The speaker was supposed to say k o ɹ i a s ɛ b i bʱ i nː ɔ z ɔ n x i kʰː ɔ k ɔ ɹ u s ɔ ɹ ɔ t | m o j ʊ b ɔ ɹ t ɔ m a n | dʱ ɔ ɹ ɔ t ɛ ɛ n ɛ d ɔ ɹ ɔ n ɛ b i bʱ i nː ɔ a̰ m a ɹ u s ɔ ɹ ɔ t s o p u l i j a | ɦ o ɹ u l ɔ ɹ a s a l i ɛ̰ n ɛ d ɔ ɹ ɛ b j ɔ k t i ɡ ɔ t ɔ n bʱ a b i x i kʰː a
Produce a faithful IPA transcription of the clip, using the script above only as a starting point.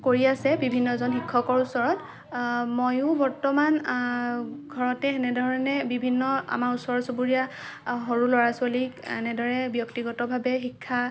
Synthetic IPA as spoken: k o ɹ i a s ɛ b i bʱ i nː ɔ z ɔ n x i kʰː ɔ k ɔ ɹ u s ɔ ɹ ɔ t | m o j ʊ b ɔ ɹ t ɔ m a n | ɡʱ ɔ ɹ ɔ t ɛ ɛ n ɛ d ɔ ɹ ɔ n ɛ b i bʱ i nː ɔ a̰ m a ɹ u s ɔ ɹ ɔ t s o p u ɹ i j a | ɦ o ɹ u l ɔ ɹ a s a l i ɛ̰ n ɛ d ɔ ɹ ɛ b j ɔ k t i ɡ ɔ t ɔ bʱ a b ɛ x i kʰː a